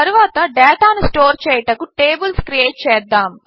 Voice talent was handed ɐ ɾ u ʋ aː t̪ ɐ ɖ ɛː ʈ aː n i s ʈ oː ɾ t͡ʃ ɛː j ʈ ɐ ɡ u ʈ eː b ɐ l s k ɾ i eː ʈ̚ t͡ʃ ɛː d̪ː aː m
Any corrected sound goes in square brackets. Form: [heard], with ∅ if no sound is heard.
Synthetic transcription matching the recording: ɐ ɾ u ʋ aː t̪ ɐ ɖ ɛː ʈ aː n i s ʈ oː ɾ t͡ʃ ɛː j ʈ ɐ [k] u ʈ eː b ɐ l s k ɾ i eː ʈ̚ t͡ʃ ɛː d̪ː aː m

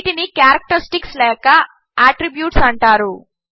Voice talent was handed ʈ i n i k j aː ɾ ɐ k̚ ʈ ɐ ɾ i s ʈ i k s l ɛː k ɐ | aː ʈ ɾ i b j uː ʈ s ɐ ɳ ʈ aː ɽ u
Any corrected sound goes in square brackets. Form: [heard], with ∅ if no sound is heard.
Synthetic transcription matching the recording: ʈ i n i k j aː ɾ ɐ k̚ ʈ ɐ ɾ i s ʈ i k s l ɛː k ɐ | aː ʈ ɾ i b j uː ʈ s ɐ ɳ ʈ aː [ɾ] u

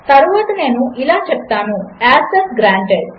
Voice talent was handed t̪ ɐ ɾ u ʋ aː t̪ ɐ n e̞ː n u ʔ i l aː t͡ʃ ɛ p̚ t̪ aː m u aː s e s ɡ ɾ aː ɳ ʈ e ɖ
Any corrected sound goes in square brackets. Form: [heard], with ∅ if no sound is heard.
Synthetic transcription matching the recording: t̪ ɐ ɾ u ʋ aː t̪ ɐ n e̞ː n u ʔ i l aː t͡ʃ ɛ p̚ t̪ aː [n] u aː s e s ɡ ɾ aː ɳ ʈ e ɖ

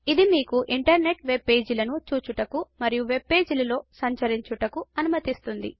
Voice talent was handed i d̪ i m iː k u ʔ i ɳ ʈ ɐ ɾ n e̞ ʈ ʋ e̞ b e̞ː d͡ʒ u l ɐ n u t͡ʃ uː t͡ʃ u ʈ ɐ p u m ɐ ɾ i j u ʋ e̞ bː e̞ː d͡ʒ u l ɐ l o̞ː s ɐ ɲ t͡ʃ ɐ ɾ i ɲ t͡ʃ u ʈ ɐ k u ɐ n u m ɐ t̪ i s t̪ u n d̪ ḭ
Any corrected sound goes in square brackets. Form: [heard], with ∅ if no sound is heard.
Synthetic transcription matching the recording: i d̪ i m iː k u ʔ i ɳ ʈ ɐ ɾ n e̞ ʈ ʋ e̞ b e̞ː d͡ʒ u l ɐ n u t͡ʃ uː t͡ʃ u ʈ ɐ [k] u m ɐ ɾ i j u ʋ e̞ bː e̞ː d͡ʒ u l ɐ l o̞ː s ɐ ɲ t͡ʃ ɐ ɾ i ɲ t͡ʃ u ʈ ɐ k u ɐ n u m ɐ t̪ i s t̪ u n d̪ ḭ

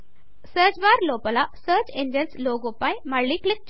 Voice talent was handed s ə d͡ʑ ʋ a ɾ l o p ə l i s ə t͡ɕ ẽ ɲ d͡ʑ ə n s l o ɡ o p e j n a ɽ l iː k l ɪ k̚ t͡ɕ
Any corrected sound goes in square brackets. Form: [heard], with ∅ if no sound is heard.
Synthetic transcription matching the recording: s ə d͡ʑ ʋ a ɾ l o p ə l [a] s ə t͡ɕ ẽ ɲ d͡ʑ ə n s l o ɡ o p [a] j [m] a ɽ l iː k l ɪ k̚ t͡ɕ

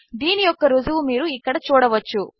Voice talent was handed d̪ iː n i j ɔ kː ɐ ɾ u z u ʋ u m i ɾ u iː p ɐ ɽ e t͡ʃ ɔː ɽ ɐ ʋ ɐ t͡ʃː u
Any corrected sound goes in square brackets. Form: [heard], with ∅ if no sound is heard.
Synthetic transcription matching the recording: d̪ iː n i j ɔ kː ɐ ɾ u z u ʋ u m [iː] ɾ u iː [k] ɐ ɽ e t͡ʃ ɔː ɽ ɐ ʋ ɐ t͡ʃː u

